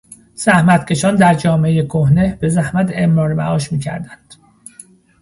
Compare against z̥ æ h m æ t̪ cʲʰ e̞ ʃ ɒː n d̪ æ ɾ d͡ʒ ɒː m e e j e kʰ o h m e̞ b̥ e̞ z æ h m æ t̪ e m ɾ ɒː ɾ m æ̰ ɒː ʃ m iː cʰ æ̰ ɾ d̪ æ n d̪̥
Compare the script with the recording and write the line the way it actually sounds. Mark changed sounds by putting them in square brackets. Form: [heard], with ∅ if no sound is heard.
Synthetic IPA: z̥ æ h m æ t̪ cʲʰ e̞ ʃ ɒː n d̪ æ ɾ d͡ʒ ɒː m e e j e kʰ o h [n] e̞ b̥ e̞ z æ h m æ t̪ e m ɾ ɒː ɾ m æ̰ ɒː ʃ m iː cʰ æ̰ ɾ d̪ æ n d̪̥